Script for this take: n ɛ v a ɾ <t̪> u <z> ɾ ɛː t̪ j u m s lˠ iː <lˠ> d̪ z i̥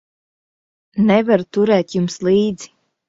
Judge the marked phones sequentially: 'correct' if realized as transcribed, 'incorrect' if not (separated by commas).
correct, incorrect, incorrect